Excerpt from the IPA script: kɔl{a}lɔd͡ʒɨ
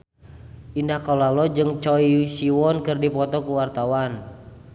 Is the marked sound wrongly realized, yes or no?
no